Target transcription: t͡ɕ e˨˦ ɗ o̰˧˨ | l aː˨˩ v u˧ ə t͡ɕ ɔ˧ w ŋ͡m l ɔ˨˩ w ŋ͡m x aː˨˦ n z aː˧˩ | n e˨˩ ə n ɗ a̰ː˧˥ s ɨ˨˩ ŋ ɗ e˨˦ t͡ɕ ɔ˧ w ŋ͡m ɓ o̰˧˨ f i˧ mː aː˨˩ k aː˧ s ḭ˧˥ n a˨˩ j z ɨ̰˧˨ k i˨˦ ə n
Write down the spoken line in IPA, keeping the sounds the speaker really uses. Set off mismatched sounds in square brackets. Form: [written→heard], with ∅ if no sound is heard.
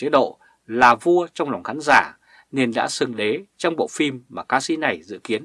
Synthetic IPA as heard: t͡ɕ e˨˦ ɗ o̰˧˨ | l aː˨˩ v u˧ ə t͡ɕ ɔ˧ w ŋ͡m l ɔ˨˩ w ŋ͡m x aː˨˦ n z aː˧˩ | n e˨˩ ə n ɗ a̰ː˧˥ s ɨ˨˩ ŋ ɗ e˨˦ t͡ɕ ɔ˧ w ŋ͡m ɓ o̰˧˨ f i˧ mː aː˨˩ k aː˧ s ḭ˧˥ n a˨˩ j z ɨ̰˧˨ k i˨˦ ə n